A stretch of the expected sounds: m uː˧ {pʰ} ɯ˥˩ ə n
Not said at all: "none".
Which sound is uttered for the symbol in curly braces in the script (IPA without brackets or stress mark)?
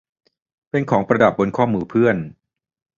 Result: pʰ